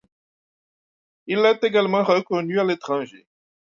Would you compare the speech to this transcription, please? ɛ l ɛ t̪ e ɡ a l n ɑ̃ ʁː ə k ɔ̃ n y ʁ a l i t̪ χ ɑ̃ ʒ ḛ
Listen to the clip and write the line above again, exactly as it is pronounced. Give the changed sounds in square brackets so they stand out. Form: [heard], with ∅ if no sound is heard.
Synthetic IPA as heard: [i] l ɛ t̪ e ɡ a l [m] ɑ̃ [ʁ] ə k [ɔ] n y [∅] a l [e] t̪ χ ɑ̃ ʒ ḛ